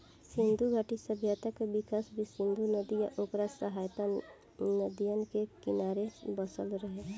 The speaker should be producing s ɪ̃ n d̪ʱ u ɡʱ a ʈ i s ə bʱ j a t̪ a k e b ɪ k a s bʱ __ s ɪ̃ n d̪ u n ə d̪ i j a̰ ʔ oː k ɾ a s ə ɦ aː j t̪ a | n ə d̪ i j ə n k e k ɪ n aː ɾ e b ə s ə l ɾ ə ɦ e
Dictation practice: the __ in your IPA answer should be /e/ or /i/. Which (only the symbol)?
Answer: i